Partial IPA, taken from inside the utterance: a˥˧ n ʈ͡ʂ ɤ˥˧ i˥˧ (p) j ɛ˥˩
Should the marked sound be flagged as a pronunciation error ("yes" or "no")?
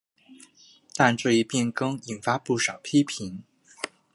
no